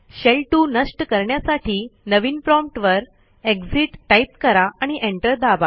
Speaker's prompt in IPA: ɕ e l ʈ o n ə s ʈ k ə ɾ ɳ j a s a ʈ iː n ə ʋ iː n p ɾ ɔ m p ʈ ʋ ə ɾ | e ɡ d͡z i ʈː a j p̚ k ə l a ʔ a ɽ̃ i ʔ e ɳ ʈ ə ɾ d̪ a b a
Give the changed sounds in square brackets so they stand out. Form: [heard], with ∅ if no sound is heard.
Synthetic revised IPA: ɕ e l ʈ [u] n ə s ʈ k ə ɾ ɳ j a s a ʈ iː n ə ʋ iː n p ɾ ɔ m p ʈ ʋ ə ɾ | e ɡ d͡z i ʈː a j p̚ k ə [ɾ] a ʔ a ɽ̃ i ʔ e ɳ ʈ ə ɾ d̪ a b a